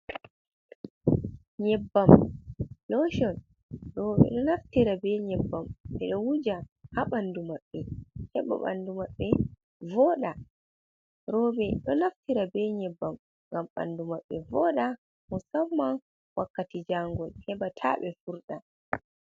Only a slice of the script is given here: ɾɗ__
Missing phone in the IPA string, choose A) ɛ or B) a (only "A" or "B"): B